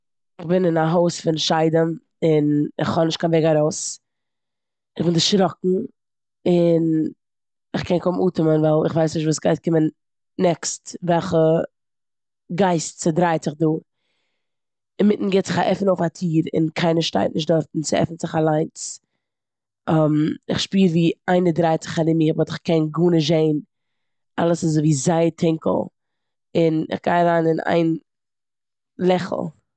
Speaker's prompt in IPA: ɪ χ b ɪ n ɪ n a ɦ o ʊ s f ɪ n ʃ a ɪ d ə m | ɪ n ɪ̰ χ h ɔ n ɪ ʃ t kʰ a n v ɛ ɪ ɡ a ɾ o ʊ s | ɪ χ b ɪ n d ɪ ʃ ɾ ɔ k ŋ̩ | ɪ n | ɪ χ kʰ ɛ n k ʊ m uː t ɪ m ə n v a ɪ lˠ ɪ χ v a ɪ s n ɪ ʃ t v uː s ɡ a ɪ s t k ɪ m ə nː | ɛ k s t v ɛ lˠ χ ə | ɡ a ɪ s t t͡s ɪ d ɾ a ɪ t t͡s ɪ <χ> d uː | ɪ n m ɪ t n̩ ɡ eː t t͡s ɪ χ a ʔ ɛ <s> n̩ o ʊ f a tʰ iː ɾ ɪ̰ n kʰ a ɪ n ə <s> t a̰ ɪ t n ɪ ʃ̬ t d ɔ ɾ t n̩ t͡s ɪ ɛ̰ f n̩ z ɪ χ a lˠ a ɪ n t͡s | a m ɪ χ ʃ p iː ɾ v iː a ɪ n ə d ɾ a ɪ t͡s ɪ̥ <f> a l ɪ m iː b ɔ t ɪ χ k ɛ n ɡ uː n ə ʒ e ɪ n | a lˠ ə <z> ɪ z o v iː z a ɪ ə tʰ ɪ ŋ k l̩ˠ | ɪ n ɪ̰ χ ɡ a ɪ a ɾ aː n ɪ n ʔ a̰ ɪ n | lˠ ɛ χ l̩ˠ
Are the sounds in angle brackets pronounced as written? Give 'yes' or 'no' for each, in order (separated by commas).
yes, no, no, no, no